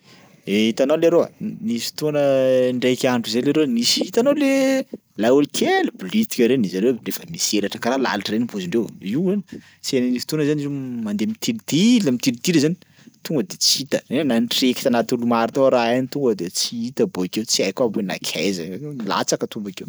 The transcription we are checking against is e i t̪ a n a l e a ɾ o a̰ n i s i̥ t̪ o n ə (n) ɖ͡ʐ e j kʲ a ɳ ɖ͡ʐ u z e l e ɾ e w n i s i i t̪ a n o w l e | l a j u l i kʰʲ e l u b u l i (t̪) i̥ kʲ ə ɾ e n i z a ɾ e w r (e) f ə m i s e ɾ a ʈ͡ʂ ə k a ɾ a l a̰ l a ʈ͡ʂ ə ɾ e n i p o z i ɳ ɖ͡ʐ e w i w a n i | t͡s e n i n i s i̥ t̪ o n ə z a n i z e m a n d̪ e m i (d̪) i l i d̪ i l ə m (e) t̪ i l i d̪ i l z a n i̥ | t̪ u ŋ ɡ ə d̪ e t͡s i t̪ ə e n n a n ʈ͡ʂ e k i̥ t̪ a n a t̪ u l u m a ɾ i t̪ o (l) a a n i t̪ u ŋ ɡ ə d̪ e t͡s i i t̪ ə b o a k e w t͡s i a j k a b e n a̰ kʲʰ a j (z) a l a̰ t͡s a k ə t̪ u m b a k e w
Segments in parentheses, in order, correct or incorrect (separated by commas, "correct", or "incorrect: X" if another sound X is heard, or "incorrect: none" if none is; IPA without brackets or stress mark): incorrect: ɳ, correct, correct, incorrect: t̪, incorrect: i, incorrect: ɾ, correct